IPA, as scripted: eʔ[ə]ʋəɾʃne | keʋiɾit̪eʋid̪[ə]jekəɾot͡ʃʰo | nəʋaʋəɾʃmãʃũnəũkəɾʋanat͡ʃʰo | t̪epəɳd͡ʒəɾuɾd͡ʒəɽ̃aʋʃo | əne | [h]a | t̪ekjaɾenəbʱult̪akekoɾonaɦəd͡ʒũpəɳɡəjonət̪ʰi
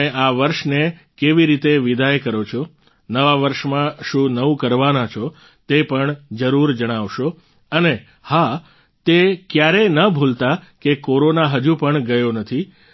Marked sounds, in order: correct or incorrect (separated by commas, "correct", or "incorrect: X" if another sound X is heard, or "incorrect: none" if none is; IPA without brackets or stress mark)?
incorrect: a, incorrect: a, correct